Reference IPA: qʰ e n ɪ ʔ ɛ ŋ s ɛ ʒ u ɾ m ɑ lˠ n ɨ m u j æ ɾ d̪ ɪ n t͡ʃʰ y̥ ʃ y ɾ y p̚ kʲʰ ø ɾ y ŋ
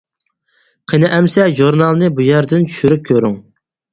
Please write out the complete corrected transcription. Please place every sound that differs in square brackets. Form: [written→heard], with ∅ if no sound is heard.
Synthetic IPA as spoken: qʰ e n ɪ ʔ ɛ [ŋ→m] s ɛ ʒ u ɾ [m→n] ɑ lˠ n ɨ [m→b] u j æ ɾ d̪ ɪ n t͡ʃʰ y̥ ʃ y ɾ y p̚ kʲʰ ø ɾ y ŋ